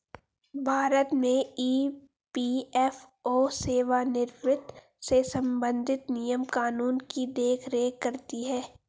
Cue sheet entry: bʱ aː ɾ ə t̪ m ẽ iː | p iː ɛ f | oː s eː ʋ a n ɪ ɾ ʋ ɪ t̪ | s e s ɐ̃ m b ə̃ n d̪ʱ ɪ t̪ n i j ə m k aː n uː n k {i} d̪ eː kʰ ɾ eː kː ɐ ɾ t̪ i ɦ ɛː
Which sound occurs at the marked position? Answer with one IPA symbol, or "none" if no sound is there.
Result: i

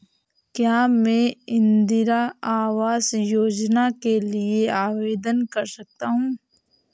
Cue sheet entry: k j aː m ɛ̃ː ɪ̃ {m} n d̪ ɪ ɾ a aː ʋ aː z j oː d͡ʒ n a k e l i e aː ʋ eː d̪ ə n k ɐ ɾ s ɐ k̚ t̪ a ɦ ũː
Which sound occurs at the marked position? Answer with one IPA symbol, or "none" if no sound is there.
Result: none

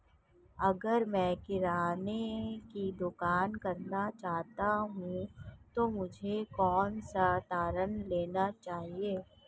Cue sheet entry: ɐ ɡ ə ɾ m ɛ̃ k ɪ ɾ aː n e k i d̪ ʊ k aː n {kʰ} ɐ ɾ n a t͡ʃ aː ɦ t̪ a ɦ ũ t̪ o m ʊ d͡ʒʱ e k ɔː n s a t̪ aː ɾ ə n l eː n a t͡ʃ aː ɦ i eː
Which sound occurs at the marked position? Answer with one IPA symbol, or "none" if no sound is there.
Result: k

